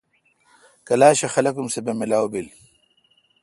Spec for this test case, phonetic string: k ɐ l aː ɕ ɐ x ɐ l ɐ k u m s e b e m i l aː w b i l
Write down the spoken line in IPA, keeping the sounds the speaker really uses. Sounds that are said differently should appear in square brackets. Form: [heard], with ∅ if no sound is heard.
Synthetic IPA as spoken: k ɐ l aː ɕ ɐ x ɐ l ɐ k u m s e b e m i l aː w b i l